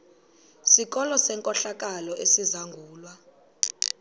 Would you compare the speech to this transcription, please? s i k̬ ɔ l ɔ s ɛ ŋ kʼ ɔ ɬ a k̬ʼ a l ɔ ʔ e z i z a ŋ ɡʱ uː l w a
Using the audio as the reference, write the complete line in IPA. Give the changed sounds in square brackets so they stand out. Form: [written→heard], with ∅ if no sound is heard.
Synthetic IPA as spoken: s i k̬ ɔ l ɔ s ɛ ŋ kʼ ɔ ɬ a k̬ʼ a l ɔ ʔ e [z→s] i z a ŋ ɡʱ uː l w a

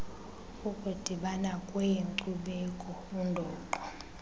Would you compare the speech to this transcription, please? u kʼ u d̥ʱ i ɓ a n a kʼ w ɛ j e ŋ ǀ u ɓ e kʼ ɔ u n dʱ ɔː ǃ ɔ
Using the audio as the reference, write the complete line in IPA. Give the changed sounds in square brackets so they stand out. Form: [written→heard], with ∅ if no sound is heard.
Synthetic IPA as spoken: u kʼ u d̥ʱ i ɓ a n a kʼ w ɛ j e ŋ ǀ u ɓ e kʼ ɔ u n dʱ ɔː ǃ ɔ

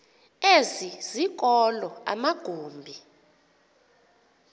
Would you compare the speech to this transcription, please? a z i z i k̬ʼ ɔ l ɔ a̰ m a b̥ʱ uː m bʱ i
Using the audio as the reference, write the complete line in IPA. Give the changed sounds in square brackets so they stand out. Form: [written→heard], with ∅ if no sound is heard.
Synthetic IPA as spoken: [a→e] z i z i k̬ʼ ɔ l ɔ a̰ m a [b̥ʱ→ɡ̥ʱ] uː m bʱ i

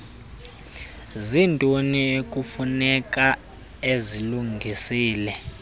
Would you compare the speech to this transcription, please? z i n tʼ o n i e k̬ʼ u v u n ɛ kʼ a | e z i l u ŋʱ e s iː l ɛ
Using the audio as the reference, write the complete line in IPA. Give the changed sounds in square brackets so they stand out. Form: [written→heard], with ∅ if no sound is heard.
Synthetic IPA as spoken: z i n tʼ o n i e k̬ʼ u [v→f] u n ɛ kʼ a | e z i l u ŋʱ [e→i] s iː l ɛ

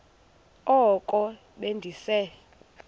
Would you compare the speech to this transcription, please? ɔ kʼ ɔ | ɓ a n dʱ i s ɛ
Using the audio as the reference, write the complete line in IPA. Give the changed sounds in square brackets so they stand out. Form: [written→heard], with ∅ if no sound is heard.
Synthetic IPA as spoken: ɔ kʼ ɔ | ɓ [a→e] n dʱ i s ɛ

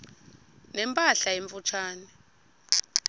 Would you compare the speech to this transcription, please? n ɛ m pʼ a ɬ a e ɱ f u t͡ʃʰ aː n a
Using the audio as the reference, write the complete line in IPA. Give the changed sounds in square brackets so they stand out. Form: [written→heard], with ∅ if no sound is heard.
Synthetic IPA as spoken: n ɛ m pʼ a ɬ a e ɱ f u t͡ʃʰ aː n [a→ɛ]

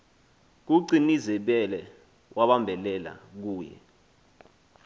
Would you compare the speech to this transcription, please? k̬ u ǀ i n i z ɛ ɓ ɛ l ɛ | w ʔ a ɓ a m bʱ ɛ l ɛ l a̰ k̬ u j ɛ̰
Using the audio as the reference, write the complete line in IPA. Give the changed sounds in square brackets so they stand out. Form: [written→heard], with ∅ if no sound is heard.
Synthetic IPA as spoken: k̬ u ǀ i n i z ɛ ɓ ɛ l ɛ | w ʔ a ɓ a m bʱ ɛ l ɛ l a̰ k̬ [u→uː] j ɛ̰

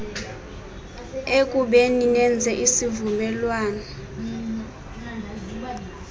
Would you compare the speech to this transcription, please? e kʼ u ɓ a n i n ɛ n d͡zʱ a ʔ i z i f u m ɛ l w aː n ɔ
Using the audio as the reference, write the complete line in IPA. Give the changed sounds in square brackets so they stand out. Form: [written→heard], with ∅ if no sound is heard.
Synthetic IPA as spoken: e kʼ u ɓ [a→e] n i n ɛ n d͡zʱ [a→ɛ] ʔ i [z→s] i [f→v] u m ɛ l w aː n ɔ

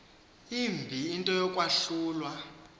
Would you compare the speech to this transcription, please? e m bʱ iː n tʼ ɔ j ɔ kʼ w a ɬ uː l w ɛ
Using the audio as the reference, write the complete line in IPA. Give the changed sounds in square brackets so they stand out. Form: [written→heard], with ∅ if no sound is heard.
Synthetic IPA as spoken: [e→i] m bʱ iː n tʼ ɔ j ɔ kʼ w a ɬ uː l w [ɛ→a]

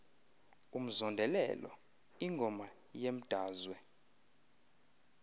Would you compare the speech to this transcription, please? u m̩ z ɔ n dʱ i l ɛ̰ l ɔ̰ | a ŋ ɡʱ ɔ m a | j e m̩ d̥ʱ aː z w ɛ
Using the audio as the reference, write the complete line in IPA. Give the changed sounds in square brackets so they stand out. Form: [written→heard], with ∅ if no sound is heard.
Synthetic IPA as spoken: u m̩ z ɔ n dʱ [i→ɛ] l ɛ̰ l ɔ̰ | [a→i] ŋ ɡʱ ɔ m a | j e m̩ d̥ʱ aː z w ɛ

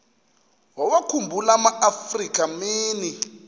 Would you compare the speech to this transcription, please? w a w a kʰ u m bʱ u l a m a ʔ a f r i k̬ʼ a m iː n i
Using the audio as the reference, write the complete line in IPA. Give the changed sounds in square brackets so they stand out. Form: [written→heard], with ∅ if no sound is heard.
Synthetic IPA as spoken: w a w a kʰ u m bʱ u l a m a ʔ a f r i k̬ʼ a m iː n i

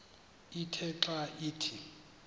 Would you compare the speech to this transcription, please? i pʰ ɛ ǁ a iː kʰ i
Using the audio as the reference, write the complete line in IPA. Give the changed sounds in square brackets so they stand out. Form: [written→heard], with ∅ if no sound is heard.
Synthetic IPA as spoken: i [pʰ→tʰ] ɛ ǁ a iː [kʰ→tʰ] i

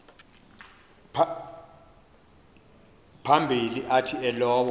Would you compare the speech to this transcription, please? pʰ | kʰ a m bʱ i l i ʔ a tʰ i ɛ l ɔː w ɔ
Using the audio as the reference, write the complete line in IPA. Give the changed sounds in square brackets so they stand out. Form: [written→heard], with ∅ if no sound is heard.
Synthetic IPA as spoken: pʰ | [kʰ→pʰ] a m bʱ i l i ʔ a tʰ i ɛ l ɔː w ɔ

